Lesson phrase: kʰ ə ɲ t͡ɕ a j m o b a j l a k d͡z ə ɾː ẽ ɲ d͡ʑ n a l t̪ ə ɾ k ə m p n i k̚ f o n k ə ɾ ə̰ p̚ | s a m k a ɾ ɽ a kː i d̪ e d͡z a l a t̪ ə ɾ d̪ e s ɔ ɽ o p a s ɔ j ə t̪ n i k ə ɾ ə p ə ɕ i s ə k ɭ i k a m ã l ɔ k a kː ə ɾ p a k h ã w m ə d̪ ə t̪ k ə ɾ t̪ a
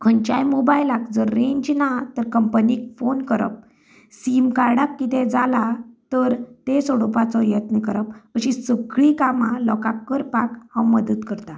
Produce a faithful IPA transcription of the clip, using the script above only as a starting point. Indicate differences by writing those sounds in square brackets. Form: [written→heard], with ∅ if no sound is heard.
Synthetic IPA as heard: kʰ ə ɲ t͡ɕ a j m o b a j l a k d͡z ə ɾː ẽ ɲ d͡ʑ n a [l→∅] t̪ ə ɾ k ə m p n i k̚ f o n k ə ɾ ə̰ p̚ | s [a→i] m k a ɾ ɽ a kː i [d̪→t̪] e d͡z a l a t̪ ə ɾ [d̪→t̪] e s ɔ ɽ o p a [s→t͡s] ɔ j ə t̪ n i k ə ɾ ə p ə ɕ i s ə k ɭ i k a m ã l ɔ k a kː ə ɾ p a k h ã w m ə d̪ ə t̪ k ə ɾ t̪ a